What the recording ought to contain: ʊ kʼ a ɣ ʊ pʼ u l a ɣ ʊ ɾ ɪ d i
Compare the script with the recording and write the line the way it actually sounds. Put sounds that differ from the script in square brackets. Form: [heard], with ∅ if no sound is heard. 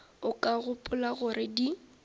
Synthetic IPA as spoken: ʊ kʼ a ɣ ʊ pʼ [ʊ] l a ɣ ʊ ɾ ɪ d i